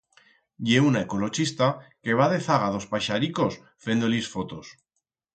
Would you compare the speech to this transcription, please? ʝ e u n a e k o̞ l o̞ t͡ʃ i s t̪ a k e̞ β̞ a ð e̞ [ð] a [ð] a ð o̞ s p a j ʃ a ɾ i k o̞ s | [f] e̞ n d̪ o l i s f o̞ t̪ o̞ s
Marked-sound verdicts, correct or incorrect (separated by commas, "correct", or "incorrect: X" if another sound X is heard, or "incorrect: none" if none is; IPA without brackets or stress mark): incorrect: θ, incorrect: ɣ, correct